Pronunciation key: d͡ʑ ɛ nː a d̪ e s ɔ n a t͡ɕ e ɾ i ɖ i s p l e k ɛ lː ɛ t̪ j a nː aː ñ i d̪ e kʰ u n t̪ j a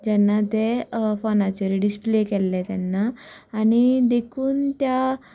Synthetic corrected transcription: d͡ʑ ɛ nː a t̪ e f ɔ n a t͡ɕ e ɾ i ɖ i s p l e k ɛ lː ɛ t̪ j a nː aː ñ i d̪ e kʰ uː n t̪ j a

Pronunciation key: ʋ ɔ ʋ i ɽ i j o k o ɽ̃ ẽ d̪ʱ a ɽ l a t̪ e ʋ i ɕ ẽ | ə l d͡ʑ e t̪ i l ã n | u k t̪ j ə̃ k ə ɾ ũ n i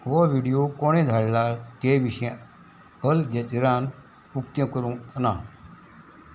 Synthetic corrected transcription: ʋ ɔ ʋ i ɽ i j o k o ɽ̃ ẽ d̪ʱ a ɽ l a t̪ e ʋ i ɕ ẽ | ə l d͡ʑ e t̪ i ɾ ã n | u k t̪ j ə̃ k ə ɾ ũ n a

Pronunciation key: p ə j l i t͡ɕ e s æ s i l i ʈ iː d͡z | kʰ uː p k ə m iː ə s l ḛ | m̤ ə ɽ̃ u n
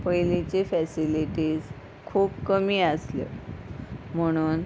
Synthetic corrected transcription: p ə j l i t͡ɕ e f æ s i l i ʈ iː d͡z | kʰ uː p k ə m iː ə s l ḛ | m̤ ə ɽ̃ uː n

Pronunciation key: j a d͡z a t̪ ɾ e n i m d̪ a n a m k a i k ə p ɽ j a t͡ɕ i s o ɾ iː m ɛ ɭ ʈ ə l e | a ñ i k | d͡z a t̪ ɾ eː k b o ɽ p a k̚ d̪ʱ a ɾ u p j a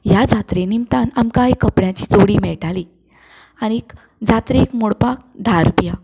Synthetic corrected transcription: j a d͡z a t̪ ɾ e n i m t̪ a n a m k a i k ə p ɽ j a t͡ɕ i t͡s o ɽ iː m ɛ ɭ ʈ a l i | a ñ i k | d͡z a t̪ ɾ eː k m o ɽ p a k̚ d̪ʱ a ɾ u p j a

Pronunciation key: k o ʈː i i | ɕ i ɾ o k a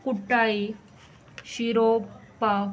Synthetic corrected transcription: k u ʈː a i | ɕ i ɾ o p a

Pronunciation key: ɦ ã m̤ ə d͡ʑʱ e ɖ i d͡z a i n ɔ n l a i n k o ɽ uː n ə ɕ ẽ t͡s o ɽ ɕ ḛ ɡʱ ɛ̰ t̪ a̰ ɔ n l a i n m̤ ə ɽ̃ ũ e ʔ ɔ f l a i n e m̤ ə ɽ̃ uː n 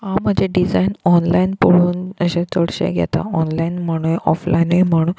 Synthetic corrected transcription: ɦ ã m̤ ə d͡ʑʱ e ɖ i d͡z a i n ɔ n l a i n p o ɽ uː n ə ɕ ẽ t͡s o ɽ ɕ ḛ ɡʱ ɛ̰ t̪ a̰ ɔ n l a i n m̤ ə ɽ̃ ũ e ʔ ɔ f l a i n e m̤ ə ɽ̃ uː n

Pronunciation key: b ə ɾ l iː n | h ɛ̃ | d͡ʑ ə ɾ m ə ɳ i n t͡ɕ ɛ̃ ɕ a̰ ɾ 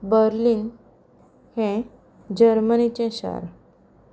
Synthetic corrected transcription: b ə ɾ l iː n | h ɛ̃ | d͡ʑ ə ɾ m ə n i t͡ɕ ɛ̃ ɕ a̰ ɾ

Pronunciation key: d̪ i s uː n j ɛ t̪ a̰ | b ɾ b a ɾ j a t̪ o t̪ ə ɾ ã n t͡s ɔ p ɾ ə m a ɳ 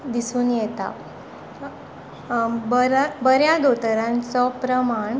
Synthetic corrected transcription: d̪ i s uː n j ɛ t̪ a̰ | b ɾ b ə ɾ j a d̪ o t̪ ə ɾ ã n t͡s ɔ p ɾ ə m a ɳ

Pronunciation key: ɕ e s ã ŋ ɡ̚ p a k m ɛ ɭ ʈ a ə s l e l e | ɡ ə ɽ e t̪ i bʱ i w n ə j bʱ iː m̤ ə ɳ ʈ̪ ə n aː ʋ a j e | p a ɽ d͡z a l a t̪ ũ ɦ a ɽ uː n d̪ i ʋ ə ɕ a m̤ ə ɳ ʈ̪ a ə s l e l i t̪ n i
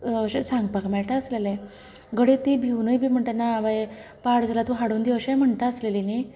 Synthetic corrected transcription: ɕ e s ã ŋ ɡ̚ p a k m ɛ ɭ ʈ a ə s l e l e | ɡ ə ɽ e t̪ i bʱ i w n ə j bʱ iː m̤ ə ɳ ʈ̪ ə n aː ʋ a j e | p a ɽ d͡z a l a t̪ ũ ɦ a ɽ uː n d̪ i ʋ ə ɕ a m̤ ə ɳ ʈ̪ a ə s l e l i n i

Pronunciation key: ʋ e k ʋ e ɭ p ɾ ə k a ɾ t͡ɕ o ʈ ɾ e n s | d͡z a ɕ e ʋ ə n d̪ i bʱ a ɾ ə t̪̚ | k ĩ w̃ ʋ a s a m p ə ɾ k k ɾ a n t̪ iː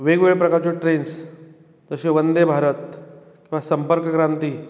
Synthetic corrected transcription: ʋ e ɡ ʋ e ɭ p ɾ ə k a ɾ t͡ɕ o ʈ ɾ e n s | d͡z ə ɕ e ʋ ə n d̪ e bʱ a ɾ ə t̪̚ | k ĩ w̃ ʋ a s ə m p ə ɾ k k ɾ a n t̪ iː

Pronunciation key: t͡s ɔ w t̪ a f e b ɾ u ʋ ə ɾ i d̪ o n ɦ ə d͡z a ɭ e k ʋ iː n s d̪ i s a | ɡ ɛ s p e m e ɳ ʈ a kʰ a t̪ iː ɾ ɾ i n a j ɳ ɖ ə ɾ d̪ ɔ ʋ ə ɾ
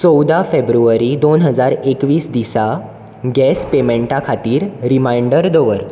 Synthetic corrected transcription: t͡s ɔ w d̪ a f e b ɾ u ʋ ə ɾ i d̪ o n ɦ ə d͡z a ɾ e k ʋ iː s d̪ i s a | ɡ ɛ s p e m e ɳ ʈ a kʰ a t̪ iː ɾ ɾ i m a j ɳ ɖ ə ɾ d̪ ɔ ʋ ə ɾ

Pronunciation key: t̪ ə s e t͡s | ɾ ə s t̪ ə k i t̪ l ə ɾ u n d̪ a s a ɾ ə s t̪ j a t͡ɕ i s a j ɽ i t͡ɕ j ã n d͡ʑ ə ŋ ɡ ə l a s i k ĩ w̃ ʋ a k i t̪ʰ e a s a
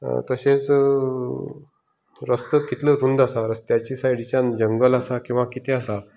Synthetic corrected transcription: t̪ ə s e t͡s | ɾ ə s t̪ ə k i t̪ l ə ɾ u n d̪ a s a ɾ ə s t̪ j a t͡ɕ i s a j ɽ i t͡ɕ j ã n d͡ʑ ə ŋ ɡ ə l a s a k ĩ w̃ ʋ a k i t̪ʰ e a s a

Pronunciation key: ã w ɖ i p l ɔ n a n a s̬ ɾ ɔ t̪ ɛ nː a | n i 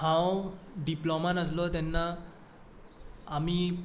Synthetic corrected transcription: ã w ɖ i p l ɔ m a n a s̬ l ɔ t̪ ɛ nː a | m i

